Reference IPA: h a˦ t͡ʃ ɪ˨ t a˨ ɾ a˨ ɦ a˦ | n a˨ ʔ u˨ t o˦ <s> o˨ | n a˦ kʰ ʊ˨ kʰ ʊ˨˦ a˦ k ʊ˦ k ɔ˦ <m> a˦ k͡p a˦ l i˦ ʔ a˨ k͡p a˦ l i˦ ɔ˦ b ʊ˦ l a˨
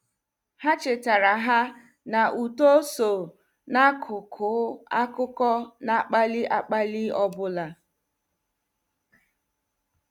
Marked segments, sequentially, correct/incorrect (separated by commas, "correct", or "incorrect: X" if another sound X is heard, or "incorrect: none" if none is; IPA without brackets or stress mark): correct, incorrect: n